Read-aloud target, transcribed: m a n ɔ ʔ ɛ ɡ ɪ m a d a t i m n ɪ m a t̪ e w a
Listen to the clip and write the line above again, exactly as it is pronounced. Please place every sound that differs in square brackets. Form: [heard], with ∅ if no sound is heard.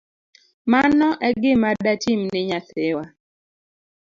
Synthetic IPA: m a n ɔ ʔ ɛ ɡ ɪ m a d a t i m n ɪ [ɲ] a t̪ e w a